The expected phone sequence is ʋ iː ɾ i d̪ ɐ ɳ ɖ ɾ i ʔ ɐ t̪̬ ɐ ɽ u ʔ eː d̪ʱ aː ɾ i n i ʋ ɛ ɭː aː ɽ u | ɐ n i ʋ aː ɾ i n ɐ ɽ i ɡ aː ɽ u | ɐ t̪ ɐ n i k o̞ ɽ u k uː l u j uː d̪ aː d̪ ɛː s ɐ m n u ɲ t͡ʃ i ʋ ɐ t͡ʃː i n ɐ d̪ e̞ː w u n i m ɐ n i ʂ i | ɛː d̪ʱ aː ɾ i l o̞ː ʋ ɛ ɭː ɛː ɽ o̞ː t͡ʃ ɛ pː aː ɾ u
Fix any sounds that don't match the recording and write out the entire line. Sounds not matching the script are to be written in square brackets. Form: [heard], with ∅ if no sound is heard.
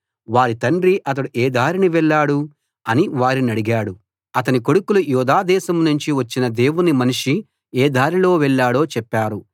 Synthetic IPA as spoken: ʋ [aː] ɾ i [t̪] ɐ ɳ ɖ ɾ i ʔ ɐ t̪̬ ɐ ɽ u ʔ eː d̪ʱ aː ɾ i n i ʋ ɛ ɭː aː ɽ u | ɐ n i ʋ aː ɾ i n ɐ ɽ i ɡ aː ɽ u | ɐ t̪ ɐ n i k o̞ ɽ u k [u] l u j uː d̪ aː d̪ ɛː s ɐ m n u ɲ t͡ʃ i ʋ ɐ t͡ʃː i n ɐ d̪ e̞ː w u n i m ɐ n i ʂ i | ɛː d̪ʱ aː ɾ i l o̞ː ʋ ɛ ɭː [aː] ɽ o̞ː t͡ʃ ɛ pː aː ɾ u